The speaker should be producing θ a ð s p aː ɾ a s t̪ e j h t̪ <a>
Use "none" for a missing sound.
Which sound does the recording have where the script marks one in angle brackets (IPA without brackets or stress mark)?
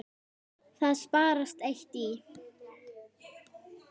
i